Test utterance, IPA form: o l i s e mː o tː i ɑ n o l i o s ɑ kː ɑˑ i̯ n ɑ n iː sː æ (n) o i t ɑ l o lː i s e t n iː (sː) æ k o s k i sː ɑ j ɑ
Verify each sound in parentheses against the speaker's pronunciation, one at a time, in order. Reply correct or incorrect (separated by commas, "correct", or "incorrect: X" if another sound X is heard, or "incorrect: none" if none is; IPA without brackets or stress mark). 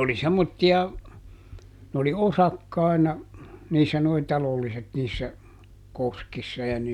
correct, correct